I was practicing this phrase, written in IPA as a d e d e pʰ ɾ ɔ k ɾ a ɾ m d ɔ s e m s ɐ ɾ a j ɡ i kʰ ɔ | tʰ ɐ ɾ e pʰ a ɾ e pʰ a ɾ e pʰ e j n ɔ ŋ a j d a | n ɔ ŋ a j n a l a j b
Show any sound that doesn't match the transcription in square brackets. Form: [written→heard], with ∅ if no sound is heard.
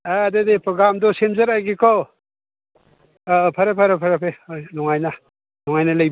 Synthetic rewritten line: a d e d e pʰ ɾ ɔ [k→ɡ] ɾ a [ɾ→∅] m d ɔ s e m [s→z] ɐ ɾ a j ɡ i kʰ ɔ | [tʰ→pʰ] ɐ ɾ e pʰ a ɾ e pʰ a ɾ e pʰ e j n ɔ ŋ a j [d→n] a | n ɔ ŋ a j n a l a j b

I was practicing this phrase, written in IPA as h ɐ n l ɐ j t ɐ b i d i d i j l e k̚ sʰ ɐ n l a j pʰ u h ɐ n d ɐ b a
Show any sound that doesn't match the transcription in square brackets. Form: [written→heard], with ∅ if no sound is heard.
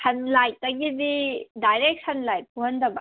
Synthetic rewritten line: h ɐ n l [ɐ→a] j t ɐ [b→ɡ] i d i d [i→a] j [l→ɾ] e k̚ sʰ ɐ n l a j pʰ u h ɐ n d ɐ b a

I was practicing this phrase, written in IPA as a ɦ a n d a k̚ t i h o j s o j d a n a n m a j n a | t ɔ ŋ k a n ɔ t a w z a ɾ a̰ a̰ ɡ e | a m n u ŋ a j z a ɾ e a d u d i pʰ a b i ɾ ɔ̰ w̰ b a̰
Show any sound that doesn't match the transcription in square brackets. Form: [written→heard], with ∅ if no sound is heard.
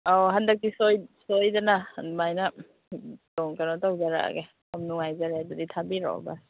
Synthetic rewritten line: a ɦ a n d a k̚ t i [h→s] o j s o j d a n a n m a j n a | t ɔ ŋ k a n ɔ t a w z a ɾ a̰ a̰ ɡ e | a m n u ŋ a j z a ɾ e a d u d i [pʰ→tʰ] a b i ɾ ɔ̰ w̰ b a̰

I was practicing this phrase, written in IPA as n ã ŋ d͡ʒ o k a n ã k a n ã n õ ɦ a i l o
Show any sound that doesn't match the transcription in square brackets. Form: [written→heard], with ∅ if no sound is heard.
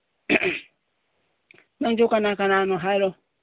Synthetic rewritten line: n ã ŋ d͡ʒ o k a n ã k a n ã n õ ɦ a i [l→ɾ] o

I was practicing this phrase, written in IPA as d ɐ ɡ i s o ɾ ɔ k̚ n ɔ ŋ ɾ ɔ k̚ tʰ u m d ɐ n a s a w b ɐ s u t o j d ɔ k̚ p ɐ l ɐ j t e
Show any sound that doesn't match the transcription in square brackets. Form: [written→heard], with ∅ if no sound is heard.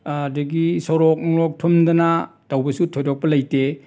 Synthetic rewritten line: d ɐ ɡ i s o ɾ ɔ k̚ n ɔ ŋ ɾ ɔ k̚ tʰ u m d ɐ n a [s→t] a w b ɐ s u [t→tʰ] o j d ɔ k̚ p ɐ l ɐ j t e

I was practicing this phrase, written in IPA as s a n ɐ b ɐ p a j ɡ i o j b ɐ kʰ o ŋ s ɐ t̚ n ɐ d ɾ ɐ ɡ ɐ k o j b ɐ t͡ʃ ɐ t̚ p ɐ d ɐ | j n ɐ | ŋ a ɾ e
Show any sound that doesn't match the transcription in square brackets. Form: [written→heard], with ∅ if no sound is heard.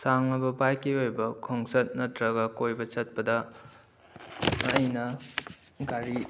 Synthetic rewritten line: s a [n→ŋ] ɐ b ɐ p a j [ɡ→k] i o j b ɐ kʰ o ŋ s ɐ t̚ n ɐ [d→t] ɾ ɐ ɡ ɐ k o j b ɐ t͡ʃ ɐ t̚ p ɐ d ɐ | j n ɐ | [ŋ→ɡ] a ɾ [e→i]

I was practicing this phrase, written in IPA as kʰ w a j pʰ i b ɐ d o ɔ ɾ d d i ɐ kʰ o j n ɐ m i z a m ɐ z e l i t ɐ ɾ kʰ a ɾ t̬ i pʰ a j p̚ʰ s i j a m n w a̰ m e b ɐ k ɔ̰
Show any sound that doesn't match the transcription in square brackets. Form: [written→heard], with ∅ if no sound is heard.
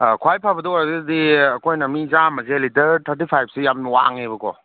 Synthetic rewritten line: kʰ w a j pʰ [i→a] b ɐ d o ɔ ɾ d d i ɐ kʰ o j n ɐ m i z a m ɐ z e l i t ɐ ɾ [kʰ→tʰ] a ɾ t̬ i pʰ a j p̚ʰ s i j a m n w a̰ [m→ŋ] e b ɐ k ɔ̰

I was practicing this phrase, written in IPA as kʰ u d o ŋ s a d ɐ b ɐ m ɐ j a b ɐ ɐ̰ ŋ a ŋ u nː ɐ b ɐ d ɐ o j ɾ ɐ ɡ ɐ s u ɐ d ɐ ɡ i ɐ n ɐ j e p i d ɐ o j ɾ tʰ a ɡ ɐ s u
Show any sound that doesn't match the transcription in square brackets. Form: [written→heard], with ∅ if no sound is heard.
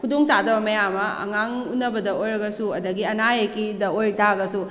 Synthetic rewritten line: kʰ u d o ŋ s a d ɐ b ɐ m ɐ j a [b→m] ɐ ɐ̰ ŋ a ŋ u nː ɐ b ɐ d ɐ o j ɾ ɐ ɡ ɐ s u ɐ d ɐ ɡ i ɐ n [ɐ→a] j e [p→k] i d ɐ o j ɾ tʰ a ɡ ɐ s u

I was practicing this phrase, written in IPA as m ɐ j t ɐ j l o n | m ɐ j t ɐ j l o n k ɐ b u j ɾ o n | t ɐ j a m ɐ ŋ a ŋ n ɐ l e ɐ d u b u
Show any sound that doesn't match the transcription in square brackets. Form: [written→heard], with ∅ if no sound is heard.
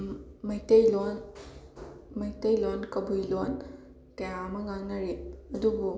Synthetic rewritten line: m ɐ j t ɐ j l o n | m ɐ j t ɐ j l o n k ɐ b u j [ɾ→l] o n | t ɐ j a m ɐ ŋ a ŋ n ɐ [l→ɾ] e ɐ d u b u

